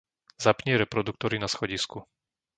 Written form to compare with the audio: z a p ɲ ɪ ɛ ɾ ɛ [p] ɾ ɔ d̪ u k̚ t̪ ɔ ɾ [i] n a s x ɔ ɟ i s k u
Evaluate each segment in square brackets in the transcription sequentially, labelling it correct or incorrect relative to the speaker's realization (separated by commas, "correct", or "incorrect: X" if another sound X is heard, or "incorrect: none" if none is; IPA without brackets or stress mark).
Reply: correct, correct